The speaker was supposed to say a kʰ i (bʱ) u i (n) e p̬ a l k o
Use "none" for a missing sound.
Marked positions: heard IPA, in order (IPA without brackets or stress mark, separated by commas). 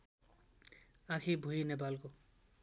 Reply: bʱ, n